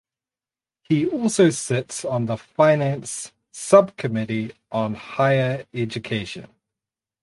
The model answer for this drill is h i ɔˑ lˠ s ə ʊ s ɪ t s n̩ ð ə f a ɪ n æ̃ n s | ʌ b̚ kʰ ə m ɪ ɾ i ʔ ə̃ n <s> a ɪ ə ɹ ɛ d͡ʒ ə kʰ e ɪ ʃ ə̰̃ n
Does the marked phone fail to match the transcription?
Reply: yes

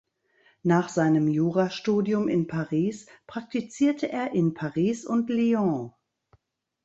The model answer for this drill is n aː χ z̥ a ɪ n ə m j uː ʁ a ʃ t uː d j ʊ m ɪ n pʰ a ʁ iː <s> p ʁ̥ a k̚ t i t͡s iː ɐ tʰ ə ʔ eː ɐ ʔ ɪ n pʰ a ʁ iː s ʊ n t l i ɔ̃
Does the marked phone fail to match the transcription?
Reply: no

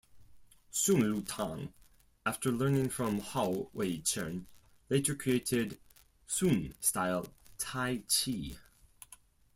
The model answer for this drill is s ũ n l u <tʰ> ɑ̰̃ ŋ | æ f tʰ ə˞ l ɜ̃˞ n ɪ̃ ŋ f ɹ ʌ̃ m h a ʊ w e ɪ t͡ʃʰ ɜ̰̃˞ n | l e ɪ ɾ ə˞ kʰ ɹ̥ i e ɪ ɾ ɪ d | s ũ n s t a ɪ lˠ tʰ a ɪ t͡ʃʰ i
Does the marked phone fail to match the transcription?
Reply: no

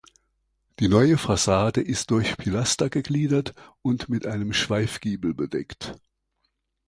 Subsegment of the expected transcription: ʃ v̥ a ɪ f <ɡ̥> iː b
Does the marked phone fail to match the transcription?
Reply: no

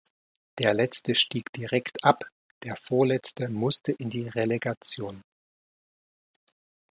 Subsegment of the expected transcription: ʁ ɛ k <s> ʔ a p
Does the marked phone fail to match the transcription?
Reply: yes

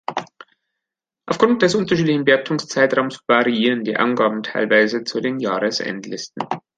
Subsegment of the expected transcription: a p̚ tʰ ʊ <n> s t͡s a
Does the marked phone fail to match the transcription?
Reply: yes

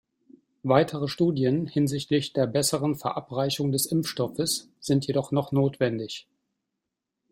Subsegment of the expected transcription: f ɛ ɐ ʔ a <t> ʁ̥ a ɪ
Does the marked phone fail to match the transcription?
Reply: yes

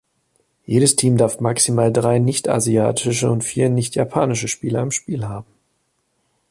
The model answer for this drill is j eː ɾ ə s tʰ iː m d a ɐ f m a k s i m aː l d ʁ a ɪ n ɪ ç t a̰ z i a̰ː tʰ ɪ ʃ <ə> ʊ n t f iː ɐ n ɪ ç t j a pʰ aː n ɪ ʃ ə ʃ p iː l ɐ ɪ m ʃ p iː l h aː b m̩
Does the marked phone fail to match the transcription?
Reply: no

